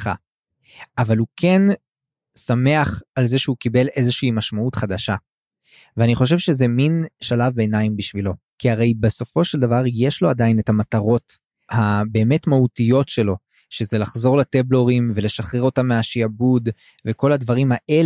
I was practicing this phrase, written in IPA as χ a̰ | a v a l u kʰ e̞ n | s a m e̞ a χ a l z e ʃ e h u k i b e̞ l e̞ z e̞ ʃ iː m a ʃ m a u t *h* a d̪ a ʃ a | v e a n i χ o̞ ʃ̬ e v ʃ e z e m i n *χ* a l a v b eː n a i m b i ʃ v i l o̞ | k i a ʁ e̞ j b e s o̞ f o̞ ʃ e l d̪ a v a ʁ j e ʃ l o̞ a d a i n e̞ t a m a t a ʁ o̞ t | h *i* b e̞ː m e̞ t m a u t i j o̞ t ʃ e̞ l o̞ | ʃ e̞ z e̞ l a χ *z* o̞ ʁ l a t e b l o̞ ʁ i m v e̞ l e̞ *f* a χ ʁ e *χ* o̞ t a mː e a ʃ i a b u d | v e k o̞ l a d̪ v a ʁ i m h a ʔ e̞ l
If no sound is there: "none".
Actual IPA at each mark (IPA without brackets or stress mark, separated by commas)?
χ, ʃ, a, z, ʃ, ʁ